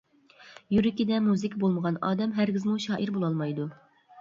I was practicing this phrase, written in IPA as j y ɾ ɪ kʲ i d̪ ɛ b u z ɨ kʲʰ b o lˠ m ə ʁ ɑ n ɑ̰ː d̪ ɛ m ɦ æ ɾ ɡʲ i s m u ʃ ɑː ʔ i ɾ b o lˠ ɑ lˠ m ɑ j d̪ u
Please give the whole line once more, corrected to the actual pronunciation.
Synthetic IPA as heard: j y ɾ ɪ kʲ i d̪ ɛ m u z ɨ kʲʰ b o lˠ m ə ʁ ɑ n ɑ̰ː d̪ ɛ m ɦ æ ɾ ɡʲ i z m u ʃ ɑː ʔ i ɾ b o lˠ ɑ lˠ m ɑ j d̪ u